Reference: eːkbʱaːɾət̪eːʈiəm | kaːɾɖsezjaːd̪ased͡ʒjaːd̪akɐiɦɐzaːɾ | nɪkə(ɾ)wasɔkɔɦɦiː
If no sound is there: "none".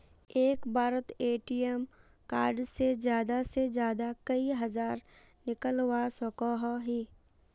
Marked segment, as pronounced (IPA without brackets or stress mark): l